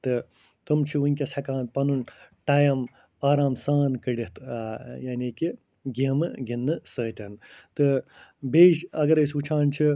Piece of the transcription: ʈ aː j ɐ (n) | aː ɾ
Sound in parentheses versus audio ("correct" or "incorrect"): incorrect